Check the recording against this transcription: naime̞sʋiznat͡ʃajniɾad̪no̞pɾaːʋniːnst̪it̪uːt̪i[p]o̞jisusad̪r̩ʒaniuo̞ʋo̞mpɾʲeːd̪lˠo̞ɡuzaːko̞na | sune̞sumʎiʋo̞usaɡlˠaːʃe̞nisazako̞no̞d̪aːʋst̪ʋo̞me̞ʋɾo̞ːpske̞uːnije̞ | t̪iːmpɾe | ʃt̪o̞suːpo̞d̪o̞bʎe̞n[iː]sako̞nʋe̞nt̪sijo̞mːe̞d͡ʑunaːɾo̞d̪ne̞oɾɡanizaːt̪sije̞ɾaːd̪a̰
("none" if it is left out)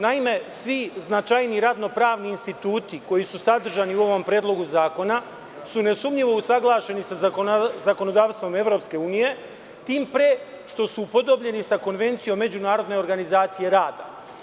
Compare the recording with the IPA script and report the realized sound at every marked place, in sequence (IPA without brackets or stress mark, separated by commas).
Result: k, i